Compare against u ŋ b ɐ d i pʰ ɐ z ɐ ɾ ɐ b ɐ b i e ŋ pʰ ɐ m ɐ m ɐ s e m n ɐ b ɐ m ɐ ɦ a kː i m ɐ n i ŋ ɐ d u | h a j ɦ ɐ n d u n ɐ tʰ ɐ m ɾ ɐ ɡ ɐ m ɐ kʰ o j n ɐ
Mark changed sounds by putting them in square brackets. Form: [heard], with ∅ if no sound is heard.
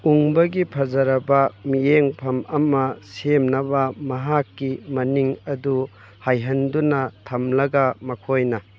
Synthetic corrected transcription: u ŋ b ɐ [ɡ] i pʰ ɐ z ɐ ɾ ɐ b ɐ [m] i e ŋ pʰ ɐ m ɐ m ɐ s e m n ɐ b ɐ m ɐ ɦ a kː i m ɐ n i ŋ ɐ d u | h a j ɦ ɐ n d u n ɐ tʰ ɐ m [l] ɐ ɡ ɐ m ɐ kʰ o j n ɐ